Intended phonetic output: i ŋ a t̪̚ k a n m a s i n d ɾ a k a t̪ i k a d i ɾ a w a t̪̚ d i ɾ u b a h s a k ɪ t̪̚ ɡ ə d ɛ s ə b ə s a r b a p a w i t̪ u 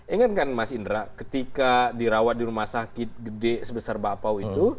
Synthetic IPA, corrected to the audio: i ŋ a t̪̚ k a n m a s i n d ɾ a k ə t̪ i k a d i ɾ a w a t̪̚ d i ɾ u m a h s a k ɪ t̪̚ ɡ ə d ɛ s ə b ə s a r b a p a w i t̪ u